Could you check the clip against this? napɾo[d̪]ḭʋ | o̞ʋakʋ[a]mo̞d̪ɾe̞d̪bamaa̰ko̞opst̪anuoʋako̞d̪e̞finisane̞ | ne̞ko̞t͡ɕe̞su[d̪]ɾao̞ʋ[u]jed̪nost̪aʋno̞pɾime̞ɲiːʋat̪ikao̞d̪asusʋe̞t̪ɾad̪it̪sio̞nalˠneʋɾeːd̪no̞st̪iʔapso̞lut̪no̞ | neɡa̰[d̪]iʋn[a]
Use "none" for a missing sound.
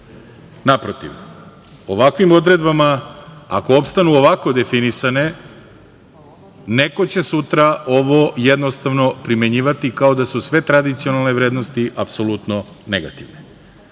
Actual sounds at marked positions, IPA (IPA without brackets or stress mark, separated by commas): t̪, i, t̪, o, t̪, e